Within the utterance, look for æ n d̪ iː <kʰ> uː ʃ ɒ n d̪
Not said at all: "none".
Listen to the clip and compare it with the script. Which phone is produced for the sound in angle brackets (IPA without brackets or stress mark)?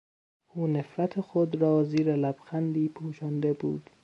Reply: pʰ